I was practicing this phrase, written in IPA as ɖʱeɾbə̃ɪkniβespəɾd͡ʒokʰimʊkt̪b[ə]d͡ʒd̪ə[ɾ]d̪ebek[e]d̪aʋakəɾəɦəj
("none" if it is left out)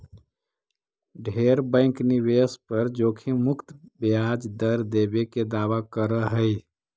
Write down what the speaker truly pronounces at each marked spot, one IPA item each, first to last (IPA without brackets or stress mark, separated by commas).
a, ɾ, e